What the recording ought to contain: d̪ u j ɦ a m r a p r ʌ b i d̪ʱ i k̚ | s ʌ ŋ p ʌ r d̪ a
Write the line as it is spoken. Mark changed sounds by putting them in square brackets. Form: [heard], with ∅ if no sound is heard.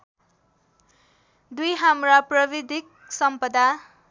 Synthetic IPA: d̪ u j ɦ a m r a p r ʌ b i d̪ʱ i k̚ | s ʌ [m] p ʌ [∅] d̪ a